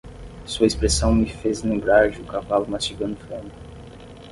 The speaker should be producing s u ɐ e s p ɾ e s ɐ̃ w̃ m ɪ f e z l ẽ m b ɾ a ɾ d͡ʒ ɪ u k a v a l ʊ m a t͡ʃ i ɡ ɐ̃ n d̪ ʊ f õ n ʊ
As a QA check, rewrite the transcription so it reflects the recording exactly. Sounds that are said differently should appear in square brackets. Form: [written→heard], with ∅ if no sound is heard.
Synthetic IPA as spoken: s u ɐ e s p ɾ e s ɐ̃ w̃ m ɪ f e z l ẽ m b ɾ a ɾ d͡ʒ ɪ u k a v a l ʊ m a t͡ʃ i ɡ ɐ̃ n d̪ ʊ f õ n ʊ